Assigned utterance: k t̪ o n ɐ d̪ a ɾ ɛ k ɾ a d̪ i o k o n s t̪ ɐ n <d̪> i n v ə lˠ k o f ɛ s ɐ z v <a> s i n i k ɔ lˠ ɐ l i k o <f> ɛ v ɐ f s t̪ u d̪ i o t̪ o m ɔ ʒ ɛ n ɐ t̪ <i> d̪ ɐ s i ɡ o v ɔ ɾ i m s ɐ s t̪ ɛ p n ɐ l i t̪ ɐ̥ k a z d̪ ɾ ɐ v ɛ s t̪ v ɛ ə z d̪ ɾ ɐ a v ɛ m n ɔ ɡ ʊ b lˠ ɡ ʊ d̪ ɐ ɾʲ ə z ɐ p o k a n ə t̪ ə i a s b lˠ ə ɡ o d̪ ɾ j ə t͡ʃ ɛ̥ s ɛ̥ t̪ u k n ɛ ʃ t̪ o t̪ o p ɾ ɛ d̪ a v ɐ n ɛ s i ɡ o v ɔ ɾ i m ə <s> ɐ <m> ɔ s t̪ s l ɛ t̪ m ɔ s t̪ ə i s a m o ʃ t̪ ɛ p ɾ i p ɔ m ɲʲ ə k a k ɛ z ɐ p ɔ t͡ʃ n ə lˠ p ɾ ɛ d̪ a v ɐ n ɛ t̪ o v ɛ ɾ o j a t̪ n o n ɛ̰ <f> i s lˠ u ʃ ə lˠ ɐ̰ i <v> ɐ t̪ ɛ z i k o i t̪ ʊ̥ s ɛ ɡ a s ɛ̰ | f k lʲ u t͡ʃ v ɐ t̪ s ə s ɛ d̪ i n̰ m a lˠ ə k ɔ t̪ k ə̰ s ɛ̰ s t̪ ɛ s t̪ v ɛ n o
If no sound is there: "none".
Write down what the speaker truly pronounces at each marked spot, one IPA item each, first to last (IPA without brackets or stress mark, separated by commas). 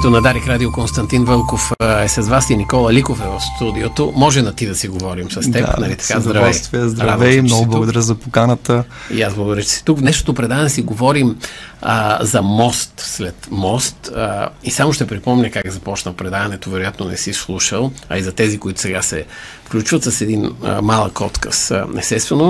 t̪, a, f, i, z, m, s, z